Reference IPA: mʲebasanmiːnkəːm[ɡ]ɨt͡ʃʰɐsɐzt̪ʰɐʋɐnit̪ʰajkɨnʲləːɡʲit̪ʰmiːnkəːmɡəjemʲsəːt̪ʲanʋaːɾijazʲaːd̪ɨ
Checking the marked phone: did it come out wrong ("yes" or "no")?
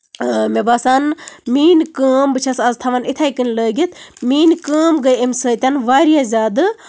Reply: yes